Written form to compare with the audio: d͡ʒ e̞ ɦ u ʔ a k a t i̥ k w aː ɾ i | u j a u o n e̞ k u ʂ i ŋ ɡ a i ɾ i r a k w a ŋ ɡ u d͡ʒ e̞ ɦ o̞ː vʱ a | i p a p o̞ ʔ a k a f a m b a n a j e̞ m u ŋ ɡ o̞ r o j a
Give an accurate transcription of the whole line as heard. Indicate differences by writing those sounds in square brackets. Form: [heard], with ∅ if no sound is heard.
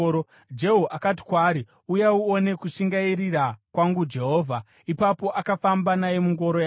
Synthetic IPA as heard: d͡ʒ e̞ ɦ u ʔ a k a t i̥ k w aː ɾ i | u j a u o n e̞ k u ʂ i ŋ ɡ a i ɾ i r a k w a ŋ ɡ u d͡ʒ e̞ ɦ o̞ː vʱ a | i p a p o̞ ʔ a k a f a m b a n a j e̞ m u ŋ ɡ o̞ [ɾ] o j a